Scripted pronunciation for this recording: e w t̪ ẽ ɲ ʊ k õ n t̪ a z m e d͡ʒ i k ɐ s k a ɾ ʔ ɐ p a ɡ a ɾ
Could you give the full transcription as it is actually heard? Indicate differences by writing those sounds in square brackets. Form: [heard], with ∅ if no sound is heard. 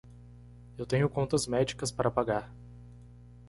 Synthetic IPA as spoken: e w t̪ ẽ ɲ ʊ k õ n t̪ [ɐ] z m [ɛ] d͡ʒ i k ɐ s [p] a ɾ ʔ ɐ p a ɡ a ɾ